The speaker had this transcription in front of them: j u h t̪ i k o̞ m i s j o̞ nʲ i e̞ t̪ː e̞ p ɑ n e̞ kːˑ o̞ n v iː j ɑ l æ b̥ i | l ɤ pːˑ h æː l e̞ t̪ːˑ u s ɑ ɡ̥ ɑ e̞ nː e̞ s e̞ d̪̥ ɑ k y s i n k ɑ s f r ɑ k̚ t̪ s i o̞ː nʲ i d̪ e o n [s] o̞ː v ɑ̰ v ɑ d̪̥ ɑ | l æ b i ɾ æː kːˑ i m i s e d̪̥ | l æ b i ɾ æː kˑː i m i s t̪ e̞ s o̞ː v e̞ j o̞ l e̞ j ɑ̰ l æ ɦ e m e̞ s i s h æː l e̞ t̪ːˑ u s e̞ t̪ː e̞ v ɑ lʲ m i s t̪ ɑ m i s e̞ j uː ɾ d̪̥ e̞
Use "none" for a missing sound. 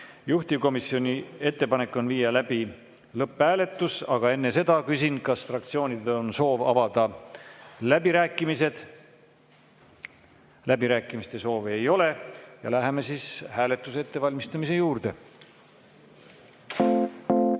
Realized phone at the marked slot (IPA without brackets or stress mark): s